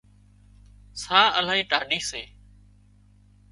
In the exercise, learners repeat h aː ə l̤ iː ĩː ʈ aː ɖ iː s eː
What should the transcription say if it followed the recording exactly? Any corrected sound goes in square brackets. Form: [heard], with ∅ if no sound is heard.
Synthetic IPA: [s] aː ə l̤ [aː] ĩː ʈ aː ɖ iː s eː